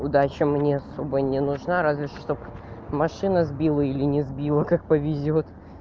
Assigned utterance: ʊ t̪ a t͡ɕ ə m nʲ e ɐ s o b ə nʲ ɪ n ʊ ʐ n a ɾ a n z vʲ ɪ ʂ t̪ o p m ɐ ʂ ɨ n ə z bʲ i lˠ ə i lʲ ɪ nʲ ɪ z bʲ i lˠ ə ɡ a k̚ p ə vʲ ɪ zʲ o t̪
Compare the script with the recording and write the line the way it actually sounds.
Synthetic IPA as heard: ʊ d̪ a t͡ɕ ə m nʲ e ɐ s o b ə nʲ ɪ n ʊ ʐ n a ɾ a z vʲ ɪ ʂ t̪ o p m ɐ ʂ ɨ n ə z bʲ i lˠ ə i lʲ ɪ nʲ ɪ z bʲ i lˠ ə k a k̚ p ə vʲ ɪ zʲ o t̪